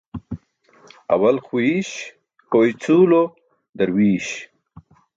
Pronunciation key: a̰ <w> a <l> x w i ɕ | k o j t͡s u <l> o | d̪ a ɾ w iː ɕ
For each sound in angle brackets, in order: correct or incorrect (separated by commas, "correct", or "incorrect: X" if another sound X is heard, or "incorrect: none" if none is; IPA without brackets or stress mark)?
correct, correct, correct